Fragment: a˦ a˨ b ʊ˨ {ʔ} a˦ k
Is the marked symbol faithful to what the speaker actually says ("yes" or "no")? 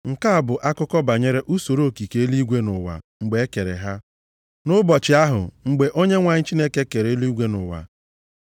yes